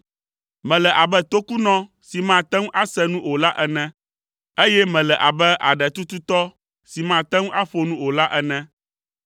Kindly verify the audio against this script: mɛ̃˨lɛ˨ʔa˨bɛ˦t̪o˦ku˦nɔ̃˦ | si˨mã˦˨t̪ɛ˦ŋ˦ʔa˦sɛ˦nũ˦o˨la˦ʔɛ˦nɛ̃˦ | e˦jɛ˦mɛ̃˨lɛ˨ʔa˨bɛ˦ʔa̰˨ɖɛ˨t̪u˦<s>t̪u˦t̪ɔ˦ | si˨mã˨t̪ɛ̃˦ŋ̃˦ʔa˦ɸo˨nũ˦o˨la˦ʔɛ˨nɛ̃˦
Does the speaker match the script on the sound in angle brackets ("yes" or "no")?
no